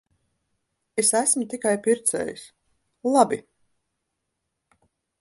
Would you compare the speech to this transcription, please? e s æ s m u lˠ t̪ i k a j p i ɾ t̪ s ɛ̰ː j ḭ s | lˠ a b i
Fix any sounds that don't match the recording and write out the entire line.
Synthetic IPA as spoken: e s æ s m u t̪ i k a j p i ɾ t̪ s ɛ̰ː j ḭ s | lˠ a b i